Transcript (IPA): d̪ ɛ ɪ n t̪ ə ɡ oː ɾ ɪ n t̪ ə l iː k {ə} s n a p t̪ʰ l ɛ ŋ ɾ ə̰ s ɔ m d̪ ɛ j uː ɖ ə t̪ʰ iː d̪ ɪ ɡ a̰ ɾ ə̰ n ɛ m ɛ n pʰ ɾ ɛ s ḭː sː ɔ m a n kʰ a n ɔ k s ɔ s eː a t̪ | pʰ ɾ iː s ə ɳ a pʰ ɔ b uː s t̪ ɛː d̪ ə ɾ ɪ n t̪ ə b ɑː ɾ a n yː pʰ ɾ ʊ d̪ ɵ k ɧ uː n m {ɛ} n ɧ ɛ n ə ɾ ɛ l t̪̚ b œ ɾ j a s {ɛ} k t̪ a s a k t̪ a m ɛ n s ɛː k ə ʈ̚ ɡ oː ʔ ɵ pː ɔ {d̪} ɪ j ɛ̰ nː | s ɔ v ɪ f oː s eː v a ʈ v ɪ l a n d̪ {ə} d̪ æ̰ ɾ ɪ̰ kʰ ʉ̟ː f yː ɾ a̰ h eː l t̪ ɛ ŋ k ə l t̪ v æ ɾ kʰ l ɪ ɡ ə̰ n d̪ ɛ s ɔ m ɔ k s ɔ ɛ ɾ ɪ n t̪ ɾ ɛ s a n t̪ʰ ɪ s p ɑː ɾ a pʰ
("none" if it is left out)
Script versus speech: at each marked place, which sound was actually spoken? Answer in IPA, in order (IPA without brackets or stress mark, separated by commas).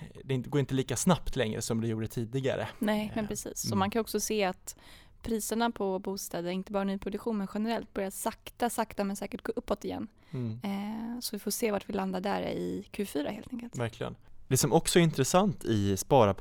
a, ɛ, a, t̪, a